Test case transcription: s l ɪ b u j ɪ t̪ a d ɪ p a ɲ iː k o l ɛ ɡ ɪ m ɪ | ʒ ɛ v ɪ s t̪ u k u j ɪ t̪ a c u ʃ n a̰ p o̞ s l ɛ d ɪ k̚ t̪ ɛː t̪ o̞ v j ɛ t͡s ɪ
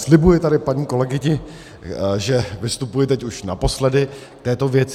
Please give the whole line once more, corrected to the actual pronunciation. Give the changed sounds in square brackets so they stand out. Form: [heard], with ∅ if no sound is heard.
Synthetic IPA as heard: s l ɪ b u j ɪ t̪ a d ɪ p a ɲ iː k o l ɛ ɡ ɪ [ɲ] ɪ | ʒ ɛ v ɪ s t̪ u [p] u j ɪ t̪ [ɛ] c u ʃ n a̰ p o̞ s l ɛ d ɪ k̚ t̪ ɛː t̪ o̞ v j ɛ t͡s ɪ